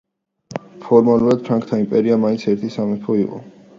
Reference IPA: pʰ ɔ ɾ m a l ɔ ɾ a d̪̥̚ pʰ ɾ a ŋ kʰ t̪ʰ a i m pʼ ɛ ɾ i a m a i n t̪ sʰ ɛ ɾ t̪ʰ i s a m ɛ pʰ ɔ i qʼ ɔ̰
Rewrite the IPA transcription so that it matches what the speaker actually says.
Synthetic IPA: pʰ ɔ ɾ m a l u ɾ a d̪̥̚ pʰ ɾ a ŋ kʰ t̪ʰ a i m pʼ ɛ ɾ i a m a i n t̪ sʰ ɛ ɾ t̪ʰ i s a m ɛ pʰ ɔ i qʼ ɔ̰

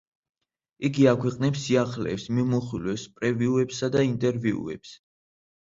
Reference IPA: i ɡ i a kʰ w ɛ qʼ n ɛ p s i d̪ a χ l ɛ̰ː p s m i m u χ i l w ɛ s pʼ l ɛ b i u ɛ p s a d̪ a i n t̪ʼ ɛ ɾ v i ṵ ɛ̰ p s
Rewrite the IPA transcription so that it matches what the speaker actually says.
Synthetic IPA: i ɡ i a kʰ w ɛ qʼ n ɛ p s i a χ l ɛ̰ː p s m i m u χ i l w ɛ s pʼ ɾ ɛ v i u ɛ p s a d̪ a i n t̪ʼ ɛ ɾ v i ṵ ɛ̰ p s

